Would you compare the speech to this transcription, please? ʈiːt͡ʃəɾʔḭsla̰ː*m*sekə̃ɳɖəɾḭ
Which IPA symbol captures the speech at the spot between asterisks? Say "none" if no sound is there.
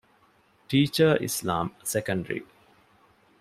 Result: m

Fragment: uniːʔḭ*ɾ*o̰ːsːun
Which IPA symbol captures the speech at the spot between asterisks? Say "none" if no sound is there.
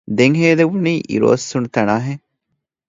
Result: ɾ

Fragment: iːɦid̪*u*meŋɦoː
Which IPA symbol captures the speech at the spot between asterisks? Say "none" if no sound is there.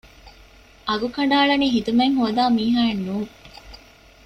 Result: u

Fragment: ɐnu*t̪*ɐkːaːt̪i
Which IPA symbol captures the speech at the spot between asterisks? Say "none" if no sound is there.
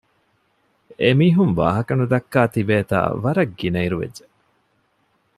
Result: d̪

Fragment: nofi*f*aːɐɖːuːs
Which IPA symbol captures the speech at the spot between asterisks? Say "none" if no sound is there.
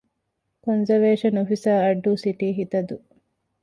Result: s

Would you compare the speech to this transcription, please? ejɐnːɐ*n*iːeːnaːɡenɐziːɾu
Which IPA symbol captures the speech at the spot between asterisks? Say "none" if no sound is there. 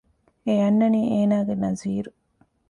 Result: n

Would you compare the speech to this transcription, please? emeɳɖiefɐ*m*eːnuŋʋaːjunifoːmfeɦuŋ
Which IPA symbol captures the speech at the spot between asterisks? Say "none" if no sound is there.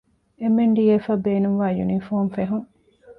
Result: b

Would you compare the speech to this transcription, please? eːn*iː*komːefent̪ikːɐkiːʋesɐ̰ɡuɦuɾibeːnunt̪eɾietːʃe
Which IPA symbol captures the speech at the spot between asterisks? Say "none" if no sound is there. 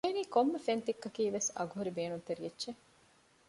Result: iː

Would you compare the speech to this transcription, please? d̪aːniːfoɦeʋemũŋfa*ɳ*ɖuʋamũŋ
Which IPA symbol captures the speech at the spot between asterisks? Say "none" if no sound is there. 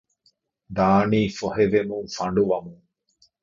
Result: ɳ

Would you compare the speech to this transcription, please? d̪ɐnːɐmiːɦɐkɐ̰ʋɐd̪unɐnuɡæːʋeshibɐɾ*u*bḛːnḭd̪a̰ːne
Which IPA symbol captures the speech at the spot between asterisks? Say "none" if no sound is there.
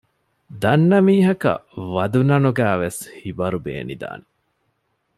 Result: u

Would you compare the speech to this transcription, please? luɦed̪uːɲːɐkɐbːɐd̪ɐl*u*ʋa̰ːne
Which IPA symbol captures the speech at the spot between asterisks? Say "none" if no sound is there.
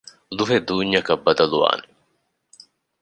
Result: u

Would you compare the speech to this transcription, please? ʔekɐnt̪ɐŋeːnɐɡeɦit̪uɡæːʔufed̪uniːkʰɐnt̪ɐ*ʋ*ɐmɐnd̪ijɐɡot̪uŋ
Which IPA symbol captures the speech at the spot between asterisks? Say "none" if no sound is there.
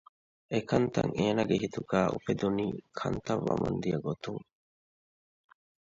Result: ʋː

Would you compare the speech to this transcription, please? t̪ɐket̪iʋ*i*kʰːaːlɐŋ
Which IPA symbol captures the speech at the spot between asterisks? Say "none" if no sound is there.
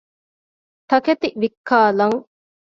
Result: i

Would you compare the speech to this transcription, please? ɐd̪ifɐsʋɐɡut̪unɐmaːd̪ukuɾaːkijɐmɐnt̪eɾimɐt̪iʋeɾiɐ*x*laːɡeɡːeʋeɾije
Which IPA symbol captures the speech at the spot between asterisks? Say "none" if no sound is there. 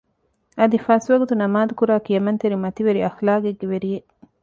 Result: x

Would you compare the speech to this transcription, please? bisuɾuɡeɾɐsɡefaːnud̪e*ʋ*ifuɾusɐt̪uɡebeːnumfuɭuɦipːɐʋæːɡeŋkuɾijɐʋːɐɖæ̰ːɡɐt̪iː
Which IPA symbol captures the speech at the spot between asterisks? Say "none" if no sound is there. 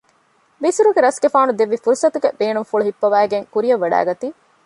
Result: ʋː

